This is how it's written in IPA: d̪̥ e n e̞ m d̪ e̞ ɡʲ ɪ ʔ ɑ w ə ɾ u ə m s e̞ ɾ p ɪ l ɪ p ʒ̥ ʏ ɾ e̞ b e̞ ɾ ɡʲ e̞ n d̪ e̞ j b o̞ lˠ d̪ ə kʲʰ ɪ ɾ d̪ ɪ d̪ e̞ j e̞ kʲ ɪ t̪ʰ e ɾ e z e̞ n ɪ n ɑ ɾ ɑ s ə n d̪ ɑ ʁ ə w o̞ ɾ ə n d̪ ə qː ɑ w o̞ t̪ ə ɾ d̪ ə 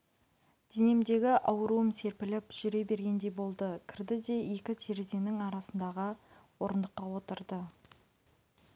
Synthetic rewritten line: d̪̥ e n e̞ m d̪ e̞ ɡʲ ɪ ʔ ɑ w ə ɾ u ə m s e̞ ɾ p ɪ l ɪ p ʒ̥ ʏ ɾ e̞ b e̞ ɾ ɡʲ e̞ n d̪ e̞ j b o̞ lˠ d̪ ə kʲʰ ɪ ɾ d̪ ɪ d̪ e̞ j e̞ kʲ ɪ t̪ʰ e ɾ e z e̞ n ɪ ŋ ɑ ɾ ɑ s ə n d̪ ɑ ʁ ə w o̞ ɾ ə n d̪ ə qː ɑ w o̞ t̪ ə ɾ d̪ ə